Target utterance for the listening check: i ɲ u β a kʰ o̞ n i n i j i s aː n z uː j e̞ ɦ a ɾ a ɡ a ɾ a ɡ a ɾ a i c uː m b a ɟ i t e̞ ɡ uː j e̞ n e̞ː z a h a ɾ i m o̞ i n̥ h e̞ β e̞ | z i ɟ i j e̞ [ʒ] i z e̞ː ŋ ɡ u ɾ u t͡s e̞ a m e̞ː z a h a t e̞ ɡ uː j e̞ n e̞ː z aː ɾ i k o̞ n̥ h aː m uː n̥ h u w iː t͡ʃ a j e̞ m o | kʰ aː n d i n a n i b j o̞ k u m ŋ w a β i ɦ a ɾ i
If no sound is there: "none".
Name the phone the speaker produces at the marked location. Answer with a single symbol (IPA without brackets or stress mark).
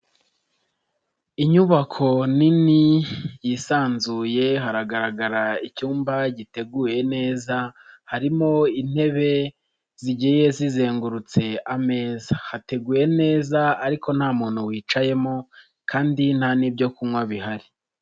z